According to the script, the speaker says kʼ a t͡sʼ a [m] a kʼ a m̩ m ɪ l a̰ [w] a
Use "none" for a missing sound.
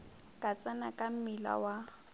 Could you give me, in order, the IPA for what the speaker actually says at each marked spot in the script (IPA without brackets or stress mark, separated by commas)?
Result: n, w